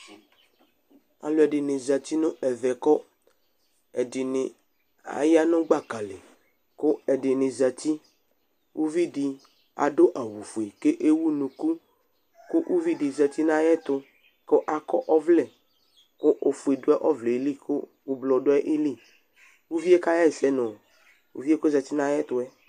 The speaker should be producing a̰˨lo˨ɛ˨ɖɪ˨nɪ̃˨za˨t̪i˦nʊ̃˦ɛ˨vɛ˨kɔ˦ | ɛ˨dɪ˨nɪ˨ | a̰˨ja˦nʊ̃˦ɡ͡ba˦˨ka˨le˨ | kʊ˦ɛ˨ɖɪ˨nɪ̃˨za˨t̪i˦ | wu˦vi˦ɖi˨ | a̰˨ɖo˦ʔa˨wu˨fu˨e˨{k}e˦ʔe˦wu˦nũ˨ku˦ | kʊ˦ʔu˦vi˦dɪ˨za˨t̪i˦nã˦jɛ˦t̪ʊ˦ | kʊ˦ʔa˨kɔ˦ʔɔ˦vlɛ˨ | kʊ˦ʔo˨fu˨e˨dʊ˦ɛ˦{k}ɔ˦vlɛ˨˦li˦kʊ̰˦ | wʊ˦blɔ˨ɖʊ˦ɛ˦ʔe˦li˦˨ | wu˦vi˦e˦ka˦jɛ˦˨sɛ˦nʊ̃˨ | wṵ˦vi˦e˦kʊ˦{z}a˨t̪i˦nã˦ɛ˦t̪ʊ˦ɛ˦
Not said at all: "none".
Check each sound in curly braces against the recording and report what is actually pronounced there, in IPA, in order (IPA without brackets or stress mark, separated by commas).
k, ʔ, z